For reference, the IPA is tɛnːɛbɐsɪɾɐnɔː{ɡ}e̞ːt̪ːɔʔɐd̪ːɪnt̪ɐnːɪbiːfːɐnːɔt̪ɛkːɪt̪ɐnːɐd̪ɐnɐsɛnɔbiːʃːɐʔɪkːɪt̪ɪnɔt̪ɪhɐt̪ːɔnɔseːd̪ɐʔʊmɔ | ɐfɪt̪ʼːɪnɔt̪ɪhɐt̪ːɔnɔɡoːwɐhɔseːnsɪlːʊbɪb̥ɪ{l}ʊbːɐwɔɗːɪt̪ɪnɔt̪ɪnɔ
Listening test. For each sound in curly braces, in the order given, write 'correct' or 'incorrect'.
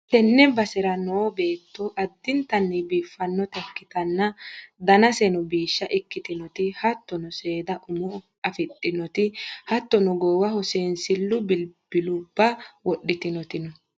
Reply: incorrect, correct

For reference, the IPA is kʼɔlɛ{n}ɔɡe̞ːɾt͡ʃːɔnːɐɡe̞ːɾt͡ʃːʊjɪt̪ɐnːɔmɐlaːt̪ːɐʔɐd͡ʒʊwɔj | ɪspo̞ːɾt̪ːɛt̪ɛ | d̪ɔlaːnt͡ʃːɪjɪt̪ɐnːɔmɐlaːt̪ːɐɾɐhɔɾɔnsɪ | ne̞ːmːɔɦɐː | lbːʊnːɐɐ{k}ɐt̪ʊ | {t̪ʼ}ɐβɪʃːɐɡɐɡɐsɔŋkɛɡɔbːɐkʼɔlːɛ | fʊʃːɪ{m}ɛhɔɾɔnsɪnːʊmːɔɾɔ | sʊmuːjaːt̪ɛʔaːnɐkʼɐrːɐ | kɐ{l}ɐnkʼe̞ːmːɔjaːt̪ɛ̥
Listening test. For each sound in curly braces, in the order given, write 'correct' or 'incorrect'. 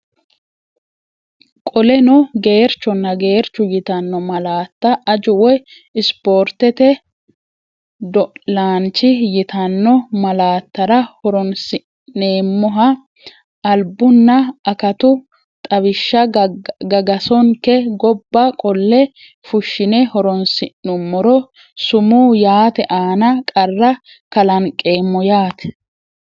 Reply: correct, correct, correct, incorrect, correct

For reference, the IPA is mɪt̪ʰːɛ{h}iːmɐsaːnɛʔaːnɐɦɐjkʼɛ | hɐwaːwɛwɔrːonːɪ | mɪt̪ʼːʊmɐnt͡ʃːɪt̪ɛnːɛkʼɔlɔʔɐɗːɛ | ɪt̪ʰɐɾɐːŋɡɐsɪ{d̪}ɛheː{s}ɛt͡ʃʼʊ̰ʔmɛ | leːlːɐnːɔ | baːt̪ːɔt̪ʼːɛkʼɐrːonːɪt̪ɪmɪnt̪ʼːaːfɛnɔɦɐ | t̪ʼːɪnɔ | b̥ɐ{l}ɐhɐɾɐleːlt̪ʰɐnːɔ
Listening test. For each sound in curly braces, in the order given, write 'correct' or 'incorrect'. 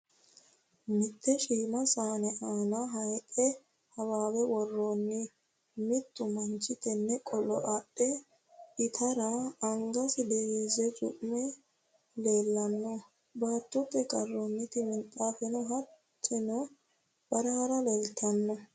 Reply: incorrect, correct, incorrect, incorrect

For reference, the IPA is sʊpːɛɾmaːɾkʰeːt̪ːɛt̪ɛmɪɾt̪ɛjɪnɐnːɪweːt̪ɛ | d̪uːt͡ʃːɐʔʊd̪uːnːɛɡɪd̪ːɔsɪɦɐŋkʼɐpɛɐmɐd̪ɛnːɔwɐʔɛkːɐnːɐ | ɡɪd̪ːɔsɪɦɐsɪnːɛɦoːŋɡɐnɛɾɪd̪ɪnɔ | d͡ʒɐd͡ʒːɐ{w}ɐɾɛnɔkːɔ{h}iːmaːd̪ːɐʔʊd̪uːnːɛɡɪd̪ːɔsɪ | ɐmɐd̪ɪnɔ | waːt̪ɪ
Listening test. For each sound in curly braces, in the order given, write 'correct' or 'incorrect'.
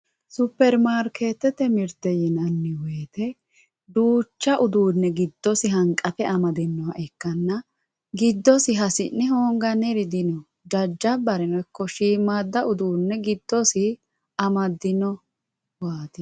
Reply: incorrect, incorrect

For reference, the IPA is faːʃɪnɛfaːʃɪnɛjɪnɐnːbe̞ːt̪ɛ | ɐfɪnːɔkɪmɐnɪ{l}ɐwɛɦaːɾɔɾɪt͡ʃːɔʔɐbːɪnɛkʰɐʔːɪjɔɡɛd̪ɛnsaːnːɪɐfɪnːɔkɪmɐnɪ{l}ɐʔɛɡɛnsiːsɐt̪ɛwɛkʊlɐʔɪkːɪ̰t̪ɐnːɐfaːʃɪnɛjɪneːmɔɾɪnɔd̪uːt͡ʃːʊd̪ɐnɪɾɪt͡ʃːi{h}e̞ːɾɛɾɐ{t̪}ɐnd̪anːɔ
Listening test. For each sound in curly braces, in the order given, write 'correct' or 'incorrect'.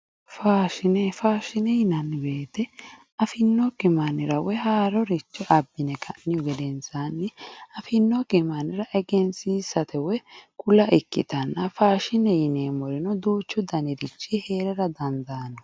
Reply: incorrect, incorrect, correct, incorrect

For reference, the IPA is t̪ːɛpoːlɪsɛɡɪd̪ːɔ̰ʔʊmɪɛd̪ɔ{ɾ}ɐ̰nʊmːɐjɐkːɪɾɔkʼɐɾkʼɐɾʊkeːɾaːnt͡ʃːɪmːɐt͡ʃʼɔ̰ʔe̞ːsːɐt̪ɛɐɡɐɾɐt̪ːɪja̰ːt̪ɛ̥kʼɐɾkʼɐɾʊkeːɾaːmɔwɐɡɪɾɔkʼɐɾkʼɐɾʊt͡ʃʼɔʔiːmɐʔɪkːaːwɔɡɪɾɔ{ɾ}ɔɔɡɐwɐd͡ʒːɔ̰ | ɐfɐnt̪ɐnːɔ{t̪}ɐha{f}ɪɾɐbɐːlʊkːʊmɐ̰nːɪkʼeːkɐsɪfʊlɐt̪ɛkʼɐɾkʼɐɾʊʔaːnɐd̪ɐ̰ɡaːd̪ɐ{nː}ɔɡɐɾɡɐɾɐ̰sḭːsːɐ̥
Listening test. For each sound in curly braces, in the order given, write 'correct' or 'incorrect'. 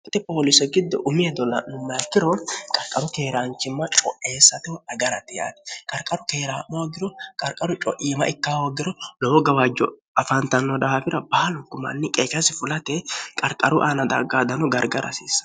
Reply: incorrect, incorrect, incorrect, correct, incorrect

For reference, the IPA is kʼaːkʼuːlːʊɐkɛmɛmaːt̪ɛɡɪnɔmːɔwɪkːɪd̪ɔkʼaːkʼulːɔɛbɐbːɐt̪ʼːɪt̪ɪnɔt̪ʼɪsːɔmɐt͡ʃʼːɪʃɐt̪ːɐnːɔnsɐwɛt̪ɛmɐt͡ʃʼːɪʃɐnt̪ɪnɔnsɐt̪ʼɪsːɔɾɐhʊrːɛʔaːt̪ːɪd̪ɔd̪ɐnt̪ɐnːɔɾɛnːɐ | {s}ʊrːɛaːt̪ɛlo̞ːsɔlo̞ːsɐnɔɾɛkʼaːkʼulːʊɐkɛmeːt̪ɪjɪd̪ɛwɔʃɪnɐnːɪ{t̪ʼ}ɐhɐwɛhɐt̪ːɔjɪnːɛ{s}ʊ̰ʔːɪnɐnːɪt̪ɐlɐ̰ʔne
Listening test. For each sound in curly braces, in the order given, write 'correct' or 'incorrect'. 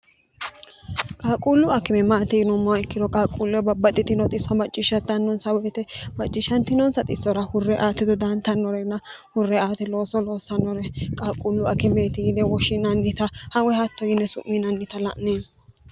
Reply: incorrect, incorrect, correct

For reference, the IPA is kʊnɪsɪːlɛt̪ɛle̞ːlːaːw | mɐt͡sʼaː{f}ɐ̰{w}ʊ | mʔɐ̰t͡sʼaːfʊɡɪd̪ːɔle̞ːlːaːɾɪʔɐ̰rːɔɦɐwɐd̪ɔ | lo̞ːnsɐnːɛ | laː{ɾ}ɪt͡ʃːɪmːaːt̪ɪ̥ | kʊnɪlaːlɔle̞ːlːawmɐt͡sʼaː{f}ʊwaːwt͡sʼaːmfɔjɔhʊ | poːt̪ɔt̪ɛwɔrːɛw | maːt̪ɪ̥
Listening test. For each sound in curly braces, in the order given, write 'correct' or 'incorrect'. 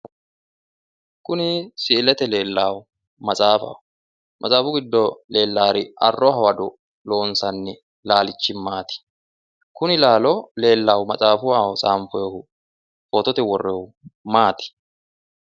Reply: correct, correct, incorrect, correct

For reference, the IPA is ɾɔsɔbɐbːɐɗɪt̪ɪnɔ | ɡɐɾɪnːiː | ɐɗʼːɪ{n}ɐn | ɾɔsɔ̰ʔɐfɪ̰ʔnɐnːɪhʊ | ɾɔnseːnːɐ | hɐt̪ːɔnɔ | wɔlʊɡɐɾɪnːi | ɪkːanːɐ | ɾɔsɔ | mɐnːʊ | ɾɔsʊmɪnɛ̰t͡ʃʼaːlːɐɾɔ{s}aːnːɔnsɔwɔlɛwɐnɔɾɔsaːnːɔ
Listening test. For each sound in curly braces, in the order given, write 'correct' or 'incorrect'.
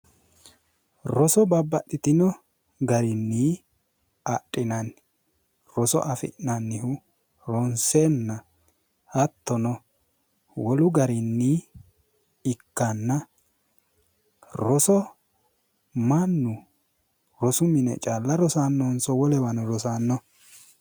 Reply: correct, correct

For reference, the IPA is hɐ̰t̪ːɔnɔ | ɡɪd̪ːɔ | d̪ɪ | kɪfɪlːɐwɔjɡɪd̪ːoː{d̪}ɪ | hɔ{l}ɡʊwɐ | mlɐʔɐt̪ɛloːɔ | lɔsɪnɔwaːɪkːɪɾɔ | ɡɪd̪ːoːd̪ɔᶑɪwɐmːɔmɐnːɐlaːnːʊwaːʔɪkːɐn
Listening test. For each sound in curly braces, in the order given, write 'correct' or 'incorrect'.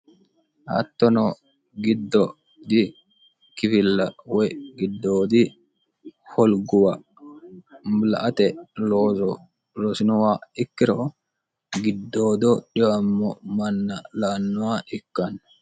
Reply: correct, correct

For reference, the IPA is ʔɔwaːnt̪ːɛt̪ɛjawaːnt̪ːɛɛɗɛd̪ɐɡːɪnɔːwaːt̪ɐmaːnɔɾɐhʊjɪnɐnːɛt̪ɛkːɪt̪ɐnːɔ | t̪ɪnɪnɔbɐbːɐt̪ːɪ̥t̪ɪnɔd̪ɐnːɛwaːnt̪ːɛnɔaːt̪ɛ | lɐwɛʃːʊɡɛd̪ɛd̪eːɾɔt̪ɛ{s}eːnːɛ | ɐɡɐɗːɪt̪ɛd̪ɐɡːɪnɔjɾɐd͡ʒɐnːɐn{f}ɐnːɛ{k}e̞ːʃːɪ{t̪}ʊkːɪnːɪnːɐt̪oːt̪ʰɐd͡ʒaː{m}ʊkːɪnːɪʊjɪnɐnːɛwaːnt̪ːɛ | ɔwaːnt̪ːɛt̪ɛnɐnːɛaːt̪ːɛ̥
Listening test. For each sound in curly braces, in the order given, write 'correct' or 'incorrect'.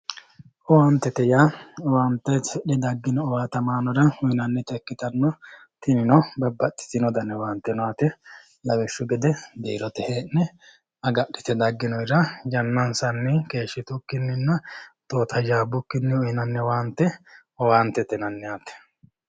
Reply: incorrect, incorrect, correct, correct, incorrect

